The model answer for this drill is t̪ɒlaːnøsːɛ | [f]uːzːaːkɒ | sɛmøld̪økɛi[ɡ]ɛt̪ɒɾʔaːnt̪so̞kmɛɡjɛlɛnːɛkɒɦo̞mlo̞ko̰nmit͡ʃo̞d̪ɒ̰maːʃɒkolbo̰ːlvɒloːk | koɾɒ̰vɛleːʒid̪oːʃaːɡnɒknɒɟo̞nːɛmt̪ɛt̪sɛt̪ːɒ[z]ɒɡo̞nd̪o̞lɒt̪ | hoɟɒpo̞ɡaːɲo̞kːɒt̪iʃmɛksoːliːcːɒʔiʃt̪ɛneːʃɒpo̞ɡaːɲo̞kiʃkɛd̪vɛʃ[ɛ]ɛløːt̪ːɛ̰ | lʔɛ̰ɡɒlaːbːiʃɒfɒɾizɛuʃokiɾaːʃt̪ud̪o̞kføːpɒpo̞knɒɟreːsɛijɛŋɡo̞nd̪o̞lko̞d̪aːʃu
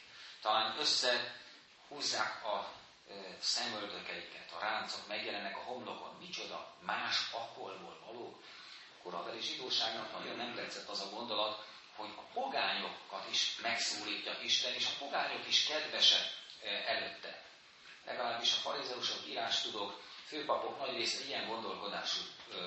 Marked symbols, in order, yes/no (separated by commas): no, no, yes, yes